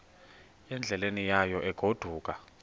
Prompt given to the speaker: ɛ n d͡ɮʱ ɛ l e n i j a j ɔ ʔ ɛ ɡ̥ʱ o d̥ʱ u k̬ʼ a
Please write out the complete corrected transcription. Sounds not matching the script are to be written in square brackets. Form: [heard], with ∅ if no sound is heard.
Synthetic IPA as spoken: ɛ n d͡ɮʱ ɛ l e n i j a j ɔ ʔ ɛ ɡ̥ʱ o d̥ʱ [uː] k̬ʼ a